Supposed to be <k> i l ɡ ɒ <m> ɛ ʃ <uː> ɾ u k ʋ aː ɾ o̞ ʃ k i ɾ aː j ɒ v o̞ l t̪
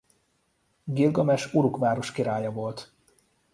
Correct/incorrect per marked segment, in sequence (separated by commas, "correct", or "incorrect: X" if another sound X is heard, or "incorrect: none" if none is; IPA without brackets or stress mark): incorrect: ɡ, correct, incorrect: u